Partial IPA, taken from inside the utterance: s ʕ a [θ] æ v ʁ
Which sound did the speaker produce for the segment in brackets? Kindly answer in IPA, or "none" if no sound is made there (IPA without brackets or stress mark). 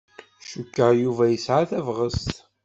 θ